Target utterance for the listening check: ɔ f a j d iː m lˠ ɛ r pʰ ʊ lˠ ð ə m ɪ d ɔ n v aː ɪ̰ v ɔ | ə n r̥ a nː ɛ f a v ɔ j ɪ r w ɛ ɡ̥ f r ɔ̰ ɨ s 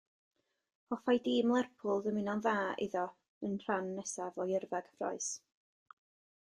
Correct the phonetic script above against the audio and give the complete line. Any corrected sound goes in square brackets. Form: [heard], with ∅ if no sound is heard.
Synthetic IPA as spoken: ɔ f a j d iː m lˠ ɛ r pʰ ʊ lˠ ð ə m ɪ [n] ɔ n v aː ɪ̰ [ð] ɔ | ə n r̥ a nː ɛ [s] a v ɔ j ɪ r [v] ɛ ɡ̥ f r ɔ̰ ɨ s